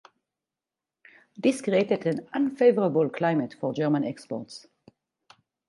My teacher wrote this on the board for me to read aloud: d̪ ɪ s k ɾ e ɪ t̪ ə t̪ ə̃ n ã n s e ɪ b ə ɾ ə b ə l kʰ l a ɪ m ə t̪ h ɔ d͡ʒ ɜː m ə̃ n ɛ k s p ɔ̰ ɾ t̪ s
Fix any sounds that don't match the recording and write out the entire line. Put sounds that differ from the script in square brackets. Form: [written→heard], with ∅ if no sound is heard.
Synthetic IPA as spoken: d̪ ɪ s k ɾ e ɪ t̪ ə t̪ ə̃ n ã n [s→f] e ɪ [b→v] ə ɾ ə b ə l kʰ l a ɪ m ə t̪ [h→f] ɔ d͡ʒ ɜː m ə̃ n ɛ k s p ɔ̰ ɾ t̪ s